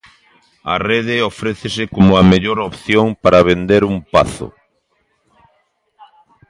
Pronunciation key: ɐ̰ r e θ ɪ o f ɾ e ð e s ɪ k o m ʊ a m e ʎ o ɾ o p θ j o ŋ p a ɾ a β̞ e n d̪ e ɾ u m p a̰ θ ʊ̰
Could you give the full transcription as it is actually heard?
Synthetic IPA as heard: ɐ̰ r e ð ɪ o f ɾ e θ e s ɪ k o m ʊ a m e ʎ o ɾ o p θ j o ŋ p a ɾ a β̞ e n d̪ e ɾ u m p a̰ θ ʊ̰

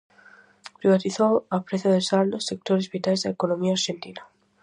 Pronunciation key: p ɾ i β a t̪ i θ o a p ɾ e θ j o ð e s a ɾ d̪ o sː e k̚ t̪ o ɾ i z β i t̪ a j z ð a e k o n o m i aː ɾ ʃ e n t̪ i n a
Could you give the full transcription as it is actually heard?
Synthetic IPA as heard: p ɾ i β a t̪ i θ o a p ɾ e θ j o ð e s a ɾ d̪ o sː e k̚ t̪ o ɾ e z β i t̪ a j z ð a e k o n o m i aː ɾ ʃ e n t̪ i n a

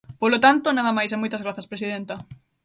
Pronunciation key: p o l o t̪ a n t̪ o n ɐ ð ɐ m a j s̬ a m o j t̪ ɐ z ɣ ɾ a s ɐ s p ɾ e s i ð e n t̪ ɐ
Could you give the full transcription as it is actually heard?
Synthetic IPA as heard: p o l o t̪ a n t̪ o n a ð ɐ m a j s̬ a m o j t̪ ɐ z ɣ ɾ a θ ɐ s p ɾ e s i ð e n t̪ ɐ

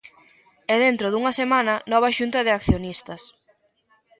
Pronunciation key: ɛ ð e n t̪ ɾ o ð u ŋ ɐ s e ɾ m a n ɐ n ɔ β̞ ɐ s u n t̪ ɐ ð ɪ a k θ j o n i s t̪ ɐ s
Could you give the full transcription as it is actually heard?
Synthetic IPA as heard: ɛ ð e n t̪ ɾ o ð u ŋ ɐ s e m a n ɐ n ɔ β̞ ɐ ʃ u n t̪ ɐ ð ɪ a k θ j o n i s t̪ ɐ s

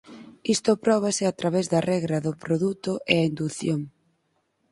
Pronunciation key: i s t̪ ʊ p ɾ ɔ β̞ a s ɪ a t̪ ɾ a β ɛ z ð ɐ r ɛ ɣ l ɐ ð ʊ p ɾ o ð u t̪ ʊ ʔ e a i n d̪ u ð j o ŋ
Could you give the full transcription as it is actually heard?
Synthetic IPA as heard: i s t̪ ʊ p ɾ ɔ β̞ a s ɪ a t̪ ɾ a β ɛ z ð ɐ r ɛ ɣ ɾ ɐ ð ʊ p ɾ o ð u t̪ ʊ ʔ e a i n d̪ u θ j o ŋ

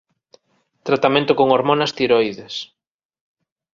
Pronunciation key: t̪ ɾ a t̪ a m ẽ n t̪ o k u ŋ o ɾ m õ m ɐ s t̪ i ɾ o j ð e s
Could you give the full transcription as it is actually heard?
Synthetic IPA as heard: t̪ ɾ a t̪ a m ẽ n t̪ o k o ŋ o ɾ m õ n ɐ s t̪ i ɾ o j ð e s

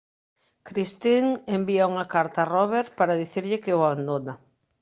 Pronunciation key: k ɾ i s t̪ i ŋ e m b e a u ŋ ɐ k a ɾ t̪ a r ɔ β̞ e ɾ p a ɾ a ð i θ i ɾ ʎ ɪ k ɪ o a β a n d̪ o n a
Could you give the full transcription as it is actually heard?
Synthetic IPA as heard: k ɾ i s t̪ i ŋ e m b i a u ŋ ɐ k a ɾ t̪ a r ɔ β̞ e ɾ p a ɾ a ð i θ i ɾ ʎ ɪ k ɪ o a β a n d̪ o n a

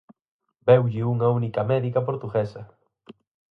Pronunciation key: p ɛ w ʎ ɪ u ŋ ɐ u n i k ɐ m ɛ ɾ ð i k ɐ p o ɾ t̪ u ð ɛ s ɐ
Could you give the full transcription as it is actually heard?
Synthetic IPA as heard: b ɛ w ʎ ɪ u ŋ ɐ u n i k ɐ m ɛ ð i k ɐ p o ɾ t̪ u ɣ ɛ s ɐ

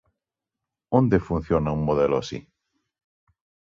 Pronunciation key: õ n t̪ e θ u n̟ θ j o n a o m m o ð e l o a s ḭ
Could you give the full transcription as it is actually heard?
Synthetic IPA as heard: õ n d̪ e f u n̟ θ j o n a u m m o ð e l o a s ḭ

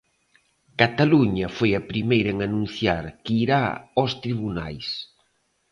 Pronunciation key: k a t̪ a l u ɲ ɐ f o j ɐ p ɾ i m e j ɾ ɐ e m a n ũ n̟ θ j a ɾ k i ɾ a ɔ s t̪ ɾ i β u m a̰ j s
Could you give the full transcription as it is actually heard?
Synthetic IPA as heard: k a t̪ a l u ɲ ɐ f o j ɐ p ɾ i m e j ɾ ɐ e ŋ a n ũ n̟ θ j a ɾ k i ɾ a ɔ s t̪ ɾ i β u n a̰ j s

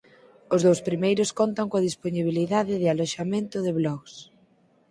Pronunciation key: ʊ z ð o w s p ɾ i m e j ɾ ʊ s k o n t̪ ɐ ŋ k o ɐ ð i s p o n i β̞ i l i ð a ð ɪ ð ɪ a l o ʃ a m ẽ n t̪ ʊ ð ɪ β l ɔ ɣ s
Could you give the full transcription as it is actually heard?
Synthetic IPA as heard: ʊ z ð o w s p ɾ i m e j ɾ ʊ s k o n t̪ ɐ ŋ k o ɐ ð i s p o n i β̞ i l i ð a ð ɪ ð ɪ a l o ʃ a m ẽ n t̪ ʊ ð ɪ β l ɔ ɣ s

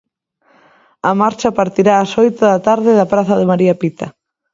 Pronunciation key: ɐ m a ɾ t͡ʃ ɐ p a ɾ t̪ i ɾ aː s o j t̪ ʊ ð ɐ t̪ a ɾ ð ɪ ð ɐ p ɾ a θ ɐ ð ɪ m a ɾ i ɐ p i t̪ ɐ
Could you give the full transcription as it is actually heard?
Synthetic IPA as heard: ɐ m a ɾ t͡ʃ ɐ p a ɾ t̪ i ɾ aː s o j t̪ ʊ ð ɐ t̪ a ɾ ð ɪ ð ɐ p ɾ a θ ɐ ð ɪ m a ɾ i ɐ p i t̪ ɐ

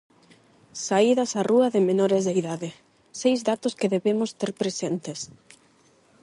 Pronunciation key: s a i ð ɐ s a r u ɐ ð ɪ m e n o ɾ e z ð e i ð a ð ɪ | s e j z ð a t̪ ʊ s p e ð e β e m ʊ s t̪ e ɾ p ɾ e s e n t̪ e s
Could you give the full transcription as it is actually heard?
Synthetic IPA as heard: s a i ð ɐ s a r u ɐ ð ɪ m e n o ɾ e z ð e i ð a ð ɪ | s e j z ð a t̪ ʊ s k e ð e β e m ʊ s t̪ e ɾ p ɾ e s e n t̪ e s

